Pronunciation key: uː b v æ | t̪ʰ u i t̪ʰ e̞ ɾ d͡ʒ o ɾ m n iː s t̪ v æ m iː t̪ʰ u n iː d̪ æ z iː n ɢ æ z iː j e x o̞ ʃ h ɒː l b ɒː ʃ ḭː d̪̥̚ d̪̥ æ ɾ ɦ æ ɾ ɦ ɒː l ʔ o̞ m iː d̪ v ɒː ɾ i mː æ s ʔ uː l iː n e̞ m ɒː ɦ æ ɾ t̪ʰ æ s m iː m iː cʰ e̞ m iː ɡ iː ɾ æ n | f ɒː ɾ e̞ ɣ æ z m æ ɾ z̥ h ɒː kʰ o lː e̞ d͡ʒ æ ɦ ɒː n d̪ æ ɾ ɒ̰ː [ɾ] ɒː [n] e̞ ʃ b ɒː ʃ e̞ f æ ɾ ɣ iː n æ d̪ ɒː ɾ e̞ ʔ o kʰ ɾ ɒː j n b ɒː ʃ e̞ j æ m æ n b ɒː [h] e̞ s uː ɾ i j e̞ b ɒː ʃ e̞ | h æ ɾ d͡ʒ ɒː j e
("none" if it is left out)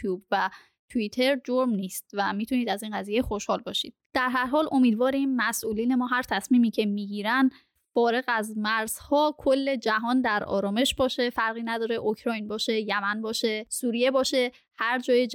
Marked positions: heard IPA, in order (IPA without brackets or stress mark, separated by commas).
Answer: ɾ, m, ʃ